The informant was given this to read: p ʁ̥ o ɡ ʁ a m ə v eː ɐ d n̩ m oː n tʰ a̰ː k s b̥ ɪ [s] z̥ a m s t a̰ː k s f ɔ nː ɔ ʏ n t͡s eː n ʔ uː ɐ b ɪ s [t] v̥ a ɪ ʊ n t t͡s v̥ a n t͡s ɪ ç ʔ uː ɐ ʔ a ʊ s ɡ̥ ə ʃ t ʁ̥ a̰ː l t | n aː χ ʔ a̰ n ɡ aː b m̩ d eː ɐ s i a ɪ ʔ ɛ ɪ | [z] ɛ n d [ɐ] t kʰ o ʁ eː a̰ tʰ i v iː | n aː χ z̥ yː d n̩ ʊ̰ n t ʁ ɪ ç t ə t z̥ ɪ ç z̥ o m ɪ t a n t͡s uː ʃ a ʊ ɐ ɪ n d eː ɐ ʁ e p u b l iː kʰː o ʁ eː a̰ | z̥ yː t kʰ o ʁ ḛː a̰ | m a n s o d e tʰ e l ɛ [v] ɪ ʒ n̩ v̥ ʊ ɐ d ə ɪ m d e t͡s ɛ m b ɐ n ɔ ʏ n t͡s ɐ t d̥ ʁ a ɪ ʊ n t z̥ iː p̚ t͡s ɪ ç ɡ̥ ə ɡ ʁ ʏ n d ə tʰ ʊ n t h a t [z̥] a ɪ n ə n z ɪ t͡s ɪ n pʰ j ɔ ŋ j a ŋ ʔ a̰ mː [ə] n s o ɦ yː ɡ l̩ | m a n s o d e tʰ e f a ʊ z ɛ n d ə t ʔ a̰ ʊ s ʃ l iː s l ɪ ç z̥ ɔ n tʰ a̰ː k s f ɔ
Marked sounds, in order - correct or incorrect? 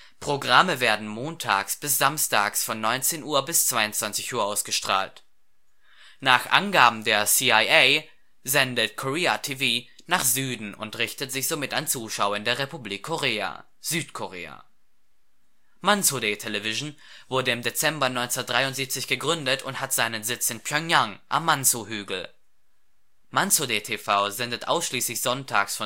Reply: correct, incorrect: t͡s, correct, incorrect: ə, correct, correct, incorrect: a

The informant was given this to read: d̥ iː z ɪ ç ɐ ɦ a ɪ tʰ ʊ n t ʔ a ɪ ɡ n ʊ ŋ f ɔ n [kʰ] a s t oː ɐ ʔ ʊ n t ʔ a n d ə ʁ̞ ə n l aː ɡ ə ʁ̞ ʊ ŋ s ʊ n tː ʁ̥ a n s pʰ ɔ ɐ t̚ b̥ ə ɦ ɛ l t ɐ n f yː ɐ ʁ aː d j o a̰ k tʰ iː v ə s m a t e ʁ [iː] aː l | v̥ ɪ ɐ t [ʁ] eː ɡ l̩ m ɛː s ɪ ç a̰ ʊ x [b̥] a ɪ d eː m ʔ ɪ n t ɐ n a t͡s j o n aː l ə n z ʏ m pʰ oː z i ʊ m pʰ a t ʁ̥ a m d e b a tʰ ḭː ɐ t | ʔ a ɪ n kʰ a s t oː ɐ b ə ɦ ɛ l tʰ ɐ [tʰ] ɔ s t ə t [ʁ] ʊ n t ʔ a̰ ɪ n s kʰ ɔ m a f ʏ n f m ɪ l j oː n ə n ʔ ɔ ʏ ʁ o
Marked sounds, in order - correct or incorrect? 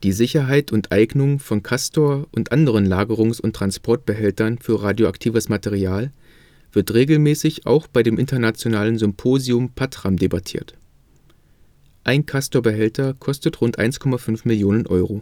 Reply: correct, incorrect: i, correct, correct, incorrect: kʰ, correct

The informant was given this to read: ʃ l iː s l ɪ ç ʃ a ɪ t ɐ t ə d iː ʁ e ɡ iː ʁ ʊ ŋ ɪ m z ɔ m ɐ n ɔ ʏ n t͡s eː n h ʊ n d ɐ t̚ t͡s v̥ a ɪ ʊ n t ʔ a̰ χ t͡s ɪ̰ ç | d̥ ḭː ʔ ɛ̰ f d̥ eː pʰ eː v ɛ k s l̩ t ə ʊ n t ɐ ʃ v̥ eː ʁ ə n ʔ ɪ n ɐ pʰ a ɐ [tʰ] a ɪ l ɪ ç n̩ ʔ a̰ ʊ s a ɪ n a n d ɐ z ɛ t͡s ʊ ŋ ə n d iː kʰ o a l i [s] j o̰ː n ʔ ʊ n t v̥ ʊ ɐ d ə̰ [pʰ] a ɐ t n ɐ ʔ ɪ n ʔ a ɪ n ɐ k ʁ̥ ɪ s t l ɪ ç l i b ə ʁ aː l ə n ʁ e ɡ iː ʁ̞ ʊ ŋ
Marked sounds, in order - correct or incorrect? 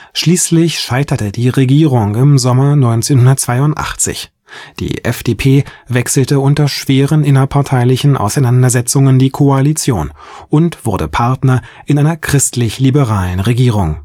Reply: correct, incorrect: t͡s, correct

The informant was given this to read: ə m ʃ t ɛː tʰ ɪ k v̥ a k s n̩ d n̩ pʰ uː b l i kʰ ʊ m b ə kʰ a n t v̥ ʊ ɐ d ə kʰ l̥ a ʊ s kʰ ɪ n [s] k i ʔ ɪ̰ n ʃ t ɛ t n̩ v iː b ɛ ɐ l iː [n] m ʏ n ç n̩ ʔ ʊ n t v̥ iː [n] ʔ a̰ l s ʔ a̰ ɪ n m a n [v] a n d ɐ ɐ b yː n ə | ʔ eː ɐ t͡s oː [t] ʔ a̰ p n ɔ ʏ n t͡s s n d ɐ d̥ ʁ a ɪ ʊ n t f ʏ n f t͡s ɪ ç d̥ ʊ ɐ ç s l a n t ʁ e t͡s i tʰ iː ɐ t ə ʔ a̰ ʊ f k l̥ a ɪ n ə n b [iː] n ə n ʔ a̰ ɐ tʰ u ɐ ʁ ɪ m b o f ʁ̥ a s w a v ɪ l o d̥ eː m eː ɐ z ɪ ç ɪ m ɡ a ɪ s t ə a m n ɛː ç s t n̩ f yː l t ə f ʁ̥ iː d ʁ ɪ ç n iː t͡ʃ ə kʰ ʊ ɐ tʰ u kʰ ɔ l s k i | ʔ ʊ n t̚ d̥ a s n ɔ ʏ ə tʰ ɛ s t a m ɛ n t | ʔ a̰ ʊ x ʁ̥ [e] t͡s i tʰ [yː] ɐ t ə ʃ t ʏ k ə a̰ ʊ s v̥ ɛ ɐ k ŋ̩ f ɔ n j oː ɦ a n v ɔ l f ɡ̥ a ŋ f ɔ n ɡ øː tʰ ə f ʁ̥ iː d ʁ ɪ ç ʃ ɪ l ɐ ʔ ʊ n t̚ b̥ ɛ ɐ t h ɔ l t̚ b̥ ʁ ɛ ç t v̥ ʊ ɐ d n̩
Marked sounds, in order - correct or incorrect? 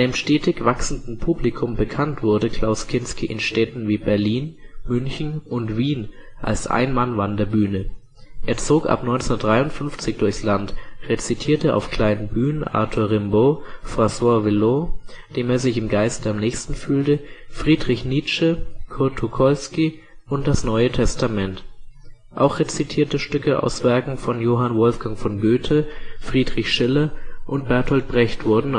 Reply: correct, correct, correct, correct, incorrect: k, incorrect: yː, correct, incorrect: iː

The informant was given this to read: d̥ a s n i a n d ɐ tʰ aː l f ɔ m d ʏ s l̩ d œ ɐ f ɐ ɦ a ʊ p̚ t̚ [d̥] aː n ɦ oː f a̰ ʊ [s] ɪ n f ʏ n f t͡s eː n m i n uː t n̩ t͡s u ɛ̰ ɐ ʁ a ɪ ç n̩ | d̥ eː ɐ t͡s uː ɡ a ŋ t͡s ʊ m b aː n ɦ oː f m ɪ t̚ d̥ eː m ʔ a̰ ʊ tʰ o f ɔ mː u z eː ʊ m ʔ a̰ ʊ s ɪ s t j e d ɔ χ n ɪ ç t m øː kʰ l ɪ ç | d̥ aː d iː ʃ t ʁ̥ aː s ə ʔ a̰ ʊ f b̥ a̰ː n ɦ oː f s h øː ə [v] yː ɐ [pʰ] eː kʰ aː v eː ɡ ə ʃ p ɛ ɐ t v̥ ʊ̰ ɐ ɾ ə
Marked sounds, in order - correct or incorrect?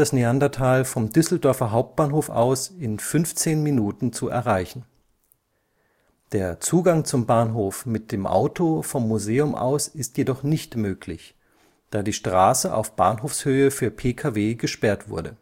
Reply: incorrect: b̥, correct, incorrect: f, correct

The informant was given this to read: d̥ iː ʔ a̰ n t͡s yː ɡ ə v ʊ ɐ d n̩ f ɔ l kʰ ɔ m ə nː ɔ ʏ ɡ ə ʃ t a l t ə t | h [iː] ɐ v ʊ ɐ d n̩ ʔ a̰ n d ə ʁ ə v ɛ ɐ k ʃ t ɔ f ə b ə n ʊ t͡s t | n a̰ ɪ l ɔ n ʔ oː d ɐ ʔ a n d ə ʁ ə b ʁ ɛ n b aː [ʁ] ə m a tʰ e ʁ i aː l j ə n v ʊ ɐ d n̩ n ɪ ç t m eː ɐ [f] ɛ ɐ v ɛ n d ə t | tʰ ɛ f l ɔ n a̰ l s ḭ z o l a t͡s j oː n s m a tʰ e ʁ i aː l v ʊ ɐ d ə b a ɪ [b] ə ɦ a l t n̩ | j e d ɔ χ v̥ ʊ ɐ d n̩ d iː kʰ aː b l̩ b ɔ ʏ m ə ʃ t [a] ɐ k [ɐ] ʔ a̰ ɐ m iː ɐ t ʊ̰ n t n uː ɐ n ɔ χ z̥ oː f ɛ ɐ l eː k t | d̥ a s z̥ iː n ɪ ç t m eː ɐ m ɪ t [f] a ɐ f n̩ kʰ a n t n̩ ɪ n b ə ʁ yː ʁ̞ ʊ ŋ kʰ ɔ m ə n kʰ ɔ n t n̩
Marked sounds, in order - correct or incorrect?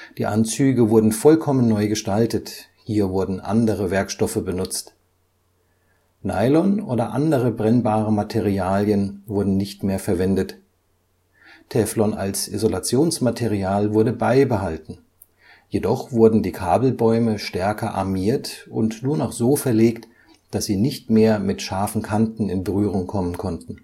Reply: correct, correct, correct, correct, incorrect: ɛ, correct, incorrect: ʃ

